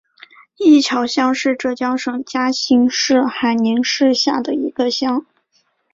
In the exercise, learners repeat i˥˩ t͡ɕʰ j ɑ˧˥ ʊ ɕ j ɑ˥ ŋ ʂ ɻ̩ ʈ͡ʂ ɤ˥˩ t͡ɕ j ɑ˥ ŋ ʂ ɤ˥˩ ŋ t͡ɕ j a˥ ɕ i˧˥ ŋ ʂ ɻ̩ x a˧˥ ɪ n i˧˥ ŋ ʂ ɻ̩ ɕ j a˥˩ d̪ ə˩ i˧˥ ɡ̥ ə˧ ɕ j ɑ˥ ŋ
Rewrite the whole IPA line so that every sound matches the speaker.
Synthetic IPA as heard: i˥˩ t͡ɕʰ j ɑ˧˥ ʊ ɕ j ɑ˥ ŋ ʂ ɻ̩ ʈ͡ʂ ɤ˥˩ t͡ɕ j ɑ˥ ŋ ʂ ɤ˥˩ ŋ t͡ɕ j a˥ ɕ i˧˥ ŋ ʂ ɻ̩ x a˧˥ ɪ n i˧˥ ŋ ʂ ɻ̩ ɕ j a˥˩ d̪ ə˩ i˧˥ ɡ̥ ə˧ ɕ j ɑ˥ ŋ